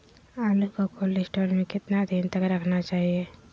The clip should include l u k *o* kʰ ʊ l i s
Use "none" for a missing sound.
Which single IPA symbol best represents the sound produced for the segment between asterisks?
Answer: o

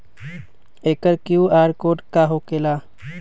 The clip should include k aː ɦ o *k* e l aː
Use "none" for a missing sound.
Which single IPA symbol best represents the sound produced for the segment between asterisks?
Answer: k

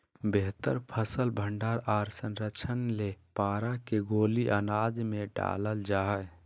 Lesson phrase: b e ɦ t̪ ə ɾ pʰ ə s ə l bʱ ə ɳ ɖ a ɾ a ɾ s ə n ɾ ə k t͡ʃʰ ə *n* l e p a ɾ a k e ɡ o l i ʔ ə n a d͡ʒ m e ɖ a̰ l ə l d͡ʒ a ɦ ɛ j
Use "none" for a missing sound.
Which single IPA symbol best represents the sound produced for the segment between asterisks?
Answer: n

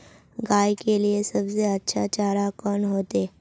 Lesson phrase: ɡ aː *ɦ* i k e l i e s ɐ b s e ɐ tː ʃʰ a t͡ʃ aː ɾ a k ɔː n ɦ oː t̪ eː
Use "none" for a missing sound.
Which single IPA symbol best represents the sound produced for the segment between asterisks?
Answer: none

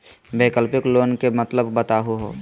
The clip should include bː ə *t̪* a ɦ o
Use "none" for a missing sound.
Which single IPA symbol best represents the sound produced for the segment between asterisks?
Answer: t̪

